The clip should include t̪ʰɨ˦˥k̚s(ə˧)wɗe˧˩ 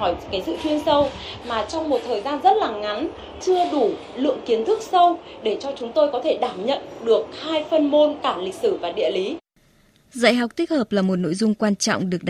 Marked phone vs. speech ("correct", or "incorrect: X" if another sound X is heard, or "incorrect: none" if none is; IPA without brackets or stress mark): correct